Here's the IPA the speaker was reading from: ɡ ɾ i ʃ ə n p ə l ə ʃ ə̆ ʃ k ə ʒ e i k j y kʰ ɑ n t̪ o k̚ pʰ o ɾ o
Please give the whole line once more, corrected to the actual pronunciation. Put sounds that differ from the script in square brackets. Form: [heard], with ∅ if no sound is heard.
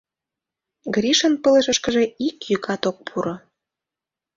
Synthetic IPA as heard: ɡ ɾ i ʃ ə n p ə l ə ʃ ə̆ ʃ k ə ʒ e i k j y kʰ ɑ [∅] t̪ o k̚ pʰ [u] ɾ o